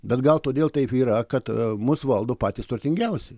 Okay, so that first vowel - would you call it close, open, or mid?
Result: mid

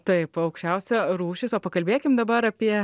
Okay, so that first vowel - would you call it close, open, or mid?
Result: open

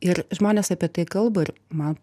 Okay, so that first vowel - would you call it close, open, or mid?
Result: close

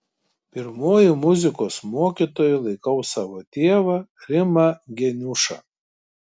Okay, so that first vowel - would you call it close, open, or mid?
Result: close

